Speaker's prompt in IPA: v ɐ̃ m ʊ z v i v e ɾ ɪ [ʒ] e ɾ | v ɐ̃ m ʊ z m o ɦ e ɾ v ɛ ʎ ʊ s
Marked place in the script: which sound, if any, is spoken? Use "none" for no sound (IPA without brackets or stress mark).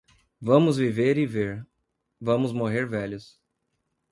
v